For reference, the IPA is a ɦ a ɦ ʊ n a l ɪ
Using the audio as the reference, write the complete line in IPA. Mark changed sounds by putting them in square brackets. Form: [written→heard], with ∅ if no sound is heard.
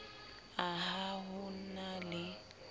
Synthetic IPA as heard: a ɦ a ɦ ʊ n a l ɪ

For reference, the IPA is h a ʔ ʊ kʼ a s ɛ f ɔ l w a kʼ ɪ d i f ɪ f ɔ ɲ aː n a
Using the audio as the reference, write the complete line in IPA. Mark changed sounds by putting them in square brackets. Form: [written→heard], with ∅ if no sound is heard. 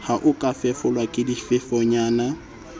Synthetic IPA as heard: h a ʔ ʊ kʼ a [s→f] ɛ f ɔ l w a kʼ ɪ d i f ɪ f ɔ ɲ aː n a

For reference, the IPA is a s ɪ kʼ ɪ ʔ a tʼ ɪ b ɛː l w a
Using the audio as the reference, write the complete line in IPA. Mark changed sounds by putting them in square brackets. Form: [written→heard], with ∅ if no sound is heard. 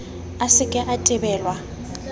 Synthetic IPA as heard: a s ɪ kʼ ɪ ʔ a tʼ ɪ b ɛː l w a

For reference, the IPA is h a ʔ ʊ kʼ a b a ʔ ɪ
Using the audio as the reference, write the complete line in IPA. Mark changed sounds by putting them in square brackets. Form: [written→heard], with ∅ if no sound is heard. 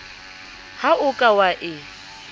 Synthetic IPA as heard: h a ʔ ʊ kʼ a [b→w] a ʔ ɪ

